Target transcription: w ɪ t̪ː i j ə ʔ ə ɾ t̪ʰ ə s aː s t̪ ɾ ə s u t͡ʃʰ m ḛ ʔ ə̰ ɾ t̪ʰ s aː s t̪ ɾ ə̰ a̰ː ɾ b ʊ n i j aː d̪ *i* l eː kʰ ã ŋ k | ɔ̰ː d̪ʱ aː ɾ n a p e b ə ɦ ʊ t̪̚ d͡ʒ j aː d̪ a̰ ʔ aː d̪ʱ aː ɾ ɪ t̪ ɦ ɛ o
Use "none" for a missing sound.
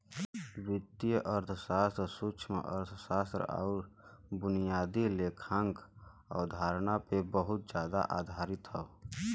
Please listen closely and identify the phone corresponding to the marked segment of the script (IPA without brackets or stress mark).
i